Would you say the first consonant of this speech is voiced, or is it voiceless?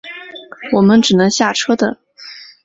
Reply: voiced